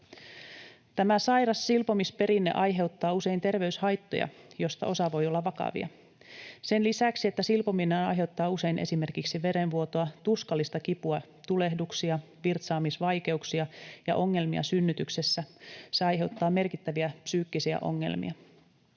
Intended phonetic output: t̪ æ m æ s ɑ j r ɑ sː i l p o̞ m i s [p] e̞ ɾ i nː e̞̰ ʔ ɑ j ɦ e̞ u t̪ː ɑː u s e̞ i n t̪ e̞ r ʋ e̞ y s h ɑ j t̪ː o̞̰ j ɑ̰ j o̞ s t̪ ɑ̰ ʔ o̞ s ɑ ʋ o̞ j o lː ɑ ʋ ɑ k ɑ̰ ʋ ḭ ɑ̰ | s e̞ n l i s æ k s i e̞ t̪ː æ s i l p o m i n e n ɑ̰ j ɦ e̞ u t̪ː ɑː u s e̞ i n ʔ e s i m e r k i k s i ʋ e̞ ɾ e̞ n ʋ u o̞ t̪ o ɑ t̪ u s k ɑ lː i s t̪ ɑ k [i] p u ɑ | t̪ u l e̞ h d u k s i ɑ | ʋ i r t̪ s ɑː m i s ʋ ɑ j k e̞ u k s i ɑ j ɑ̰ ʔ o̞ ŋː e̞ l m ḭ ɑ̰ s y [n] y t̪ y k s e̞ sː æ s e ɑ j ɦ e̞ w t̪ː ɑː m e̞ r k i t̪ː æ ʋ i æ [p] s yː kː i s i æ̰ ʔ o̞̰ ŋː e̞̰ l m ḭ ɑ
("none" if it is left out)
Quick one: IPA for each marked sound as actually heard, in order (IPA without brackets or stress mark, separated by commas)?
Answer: p, i, nː, p